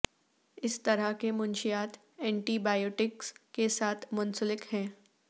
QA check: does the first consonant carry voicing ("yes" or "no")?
no